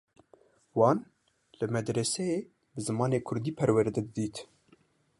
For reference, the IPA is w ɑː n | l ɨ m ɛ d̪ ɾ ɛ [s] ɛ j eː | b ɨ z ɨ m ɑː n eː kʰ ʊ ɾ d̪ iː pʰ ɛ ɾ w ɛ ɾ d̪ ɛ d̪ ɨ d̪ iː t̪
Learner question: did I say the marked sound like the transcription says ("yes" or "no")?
yes